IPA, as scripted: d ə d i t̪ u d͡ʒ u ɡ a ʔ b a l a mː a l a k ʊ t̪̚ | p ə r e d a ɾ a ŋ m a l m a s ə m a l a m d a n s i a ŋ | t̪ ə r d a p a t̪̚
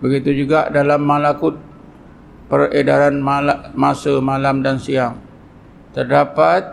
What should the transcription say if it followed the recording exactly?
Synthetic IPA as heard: b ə ɡ i t̪ u d͡ʒ u ɡ a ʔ d a l a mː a l a k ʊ t̪̚ | p ə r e d a ɾ a n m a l m a s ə m a l a m d a n s i a ŋ | t̪ ə r d a p a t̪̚